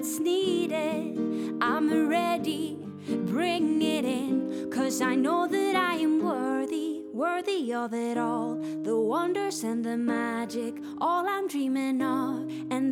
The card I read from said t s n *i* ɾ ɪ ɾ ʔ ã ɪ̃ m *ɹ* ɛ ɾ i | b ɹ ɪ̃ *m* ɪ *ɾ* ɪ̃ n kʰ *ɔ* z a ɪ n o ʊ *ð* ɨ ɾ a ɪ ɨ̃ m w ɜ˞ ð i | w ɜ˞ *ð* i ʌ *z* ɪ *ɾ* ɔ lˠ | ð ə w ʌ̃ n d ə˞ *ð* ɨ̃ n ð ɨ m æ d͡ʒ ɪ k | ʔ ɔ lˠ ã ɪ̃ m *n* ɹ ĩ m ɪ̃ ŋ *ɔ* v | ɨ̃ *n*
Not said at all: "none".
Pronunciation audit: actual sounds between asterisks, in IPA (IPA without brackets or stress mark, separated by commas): i, ɹ, ŋ, ɾ, ʌ, ð, ð, v, ɾ, z, d, ʌ, n